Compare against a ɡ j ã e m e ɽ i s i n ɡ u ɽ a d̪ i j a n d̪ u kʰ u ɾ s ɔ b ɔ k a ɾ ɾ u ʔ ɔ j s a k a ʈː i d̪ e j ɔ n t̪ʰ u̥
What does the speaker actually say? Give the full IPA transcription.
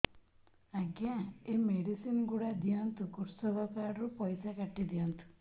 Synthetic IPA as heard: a ɡ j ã e m e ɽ i s i n ɡ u ɽ a d̪ i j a n t̪ u k u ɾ s ɔ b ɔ k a ɾ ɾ u p ɔ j s a k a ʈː i d̪ i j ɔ n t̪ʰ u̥